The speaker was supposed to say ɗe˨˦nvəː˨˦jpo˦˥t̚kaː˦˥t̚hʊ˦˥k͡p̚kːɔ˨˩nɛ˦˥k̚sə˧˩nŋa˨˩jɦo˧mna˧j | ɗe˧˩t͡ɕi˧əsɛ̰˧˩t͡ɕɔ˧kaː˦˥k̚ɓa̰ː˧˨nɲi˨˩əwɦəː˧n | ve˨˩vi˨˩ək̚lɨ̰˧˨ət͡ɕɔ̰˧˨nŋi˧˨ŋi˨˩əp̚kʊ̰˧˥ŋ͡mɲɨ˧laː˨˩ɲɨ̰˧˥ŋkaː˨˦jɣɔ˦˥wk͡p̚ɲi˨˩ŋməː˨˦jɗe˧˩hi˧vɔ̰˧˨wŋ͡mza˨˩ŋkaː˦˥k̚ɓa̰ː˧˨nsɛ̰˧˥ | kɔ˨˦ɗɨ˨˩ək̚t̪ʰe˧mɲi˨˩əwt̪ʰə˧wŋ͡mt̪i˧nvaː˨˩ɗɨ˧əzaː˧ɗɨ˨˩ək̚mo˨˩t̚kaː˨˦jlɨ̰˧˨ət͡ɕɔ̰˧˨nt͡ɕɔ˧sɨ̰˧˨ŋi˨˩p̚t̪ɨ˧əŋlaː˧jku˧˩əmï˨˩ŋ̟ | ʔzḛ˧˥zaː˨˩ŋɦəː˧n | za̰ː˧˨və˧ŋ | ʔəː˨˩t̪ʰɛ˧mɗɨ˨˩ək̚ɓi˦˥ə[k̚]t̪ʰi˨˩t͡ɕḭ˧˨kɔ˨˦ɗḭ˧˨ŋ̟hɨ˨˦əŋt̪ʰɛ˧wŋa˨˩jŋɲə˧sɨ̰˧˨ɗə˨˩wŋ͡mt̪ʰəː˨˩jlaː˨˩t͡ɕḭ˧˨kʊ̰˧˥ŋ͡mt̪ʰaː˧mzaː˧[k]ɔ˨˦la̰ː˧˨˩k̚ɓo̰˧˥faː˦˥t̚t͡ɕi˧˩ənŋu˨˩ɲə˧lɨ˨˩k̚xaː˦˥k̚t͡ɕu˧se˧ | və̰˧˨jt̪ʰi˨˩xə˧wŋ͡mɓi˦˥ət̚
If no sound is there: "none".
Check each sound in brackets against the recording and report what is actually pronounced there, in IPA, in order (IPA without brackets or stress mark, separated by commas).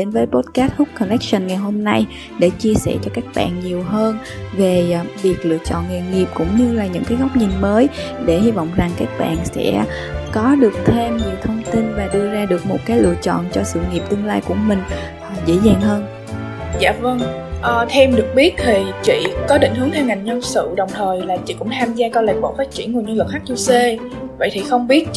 t̚, k